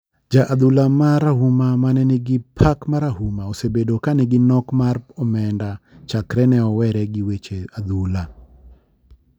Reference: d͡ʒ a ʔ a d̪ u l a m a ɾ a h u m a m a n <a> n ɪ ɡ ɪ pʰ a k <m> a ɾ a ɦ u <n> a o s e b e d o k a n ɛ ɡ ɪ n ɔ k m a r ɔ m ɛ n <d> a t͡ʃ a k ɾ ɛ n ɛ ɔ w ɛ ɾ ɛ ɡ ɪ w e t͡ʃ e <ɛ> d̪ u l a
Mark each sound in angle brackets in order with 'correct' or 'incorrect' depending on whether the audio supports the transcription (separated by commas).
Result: incorrect, correct, incorrect, correct, incorrect